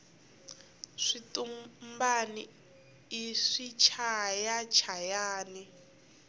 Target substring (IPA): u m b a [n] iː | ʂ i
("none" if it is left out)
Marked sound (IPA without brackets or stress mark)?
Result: n